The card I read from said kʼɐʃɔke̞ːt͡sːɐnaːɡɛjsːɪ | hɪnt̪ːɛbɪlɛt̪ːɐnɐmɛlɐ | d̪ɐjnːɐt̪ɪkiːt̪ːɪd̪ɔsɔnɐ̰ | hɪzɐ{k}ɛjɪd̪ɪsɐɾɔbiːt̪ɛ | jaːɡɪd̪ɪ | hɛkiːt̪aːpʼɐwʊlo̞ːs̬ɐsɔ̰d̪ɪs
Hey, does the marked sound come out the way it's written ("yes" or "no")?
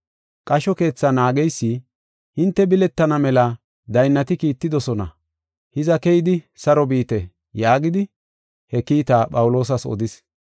yes